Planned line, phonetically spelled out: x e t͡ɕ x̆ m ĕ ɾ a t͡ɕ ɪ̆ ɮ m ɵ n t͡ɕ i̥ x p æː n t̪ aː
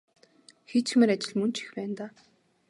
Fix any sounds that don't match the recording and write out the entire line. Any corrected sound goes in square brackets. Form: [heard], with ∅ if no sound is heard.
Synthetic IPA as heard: x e t͡ɕ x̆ m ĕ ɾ a t͡ɕ ɪ̆ ɮ m ɵ n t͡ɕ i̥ x p æː n t̪ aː